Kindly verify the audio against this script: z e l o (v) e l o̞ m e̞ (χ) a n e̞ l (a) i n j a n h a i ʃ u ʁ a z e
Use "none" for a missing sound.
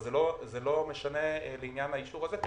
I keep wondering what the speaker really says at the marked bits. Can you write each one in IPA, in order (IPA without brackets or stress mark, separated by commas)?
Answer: z, ʃ, e